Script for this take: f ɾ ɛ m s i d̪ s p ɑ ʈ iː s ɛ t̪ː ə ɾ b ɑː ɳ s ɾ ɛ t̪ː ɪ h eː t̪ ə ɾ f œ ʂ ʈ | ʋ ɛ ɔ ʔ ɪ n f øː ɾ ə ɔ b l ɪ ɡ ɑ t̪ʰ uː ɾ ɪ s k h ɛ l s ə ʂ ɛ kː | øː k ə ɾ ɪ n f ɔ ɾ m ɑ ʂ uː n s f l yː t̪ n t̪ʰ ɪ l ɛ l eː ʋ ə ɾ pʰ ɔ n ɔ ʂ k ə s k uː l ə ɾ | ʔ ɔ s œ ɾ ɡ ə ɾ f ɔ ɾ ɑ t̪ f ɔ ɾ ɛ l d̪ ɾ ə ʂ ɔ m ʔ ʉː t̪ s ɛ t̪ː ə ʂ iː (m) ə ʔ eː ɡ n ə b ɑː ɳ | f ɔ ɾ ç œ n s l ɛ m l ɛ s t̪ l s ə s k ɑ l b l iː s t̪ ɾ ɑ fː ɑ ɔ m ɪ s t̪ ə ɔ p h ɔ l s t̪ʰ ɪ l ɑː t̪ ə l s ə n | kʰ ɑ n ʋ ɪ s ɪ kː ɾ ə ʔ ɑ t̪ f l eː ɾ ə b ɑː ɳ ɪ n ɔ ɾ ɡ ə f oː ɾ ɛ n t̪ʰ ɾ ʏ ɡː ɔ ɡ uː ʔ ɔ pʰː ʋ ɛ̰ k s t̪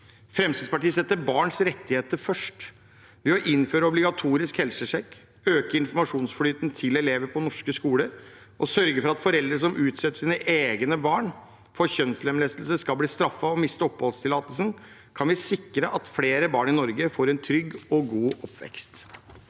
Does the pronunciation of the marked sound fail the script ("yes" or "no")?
yes